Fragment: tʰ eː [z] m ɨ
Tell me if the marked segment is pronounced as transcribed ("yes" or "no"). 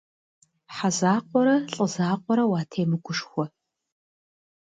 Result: no